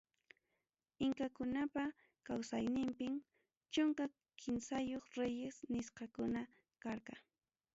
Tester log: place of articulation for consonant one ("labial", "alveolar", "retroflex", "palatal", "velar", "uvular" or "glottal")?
velar